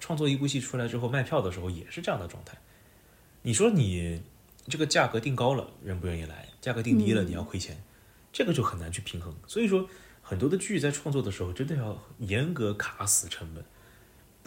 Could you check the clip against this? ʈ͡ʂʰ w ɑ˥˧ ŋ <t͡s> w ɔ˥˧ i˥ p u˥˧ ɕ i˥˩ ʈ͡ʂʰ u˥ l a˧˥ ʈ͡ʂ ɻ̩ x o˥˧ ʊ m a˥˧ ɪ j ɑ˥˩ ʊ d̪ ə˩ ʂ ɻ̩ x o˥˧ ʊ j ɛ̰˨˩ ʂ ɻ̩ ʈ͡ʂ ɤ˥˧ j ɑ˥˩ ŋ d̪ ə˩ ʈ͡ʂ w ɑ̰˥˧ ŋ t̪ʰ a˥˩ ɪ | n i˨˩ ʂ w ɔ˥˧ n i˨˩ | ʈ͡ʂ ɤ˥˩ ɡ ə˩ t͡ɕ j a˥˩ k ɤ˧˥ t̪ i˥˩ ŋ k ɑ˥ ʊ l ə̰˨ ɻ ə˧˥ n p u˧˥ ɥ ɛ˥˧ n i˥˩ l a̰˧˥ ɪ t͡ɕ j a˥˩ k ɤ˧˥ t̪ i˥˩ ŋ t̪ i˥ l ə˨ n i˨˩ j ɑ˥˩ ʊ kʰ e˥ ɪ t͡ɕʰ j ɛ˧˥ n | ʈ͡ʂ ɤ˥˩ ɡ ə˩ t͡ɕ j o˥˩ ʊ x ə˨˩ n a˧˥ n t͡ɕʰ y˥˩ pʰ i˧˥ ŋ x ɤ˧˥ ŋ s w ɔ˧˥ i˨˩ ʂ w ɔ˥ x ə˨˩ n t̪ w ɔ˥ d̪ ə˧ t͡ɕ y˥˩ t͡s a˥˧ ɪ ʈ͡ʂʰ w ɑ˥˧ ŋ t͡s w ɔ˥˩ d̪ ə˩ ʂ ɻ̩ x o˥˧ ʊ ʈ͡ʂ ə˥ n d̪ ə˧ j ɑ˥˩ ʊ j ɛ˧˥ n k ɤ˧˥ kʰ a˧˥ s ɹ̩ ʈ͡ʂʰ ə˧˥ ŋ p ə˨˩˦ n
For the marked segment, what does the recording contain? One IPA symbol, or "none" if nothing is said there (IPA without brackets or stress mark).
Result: t͡s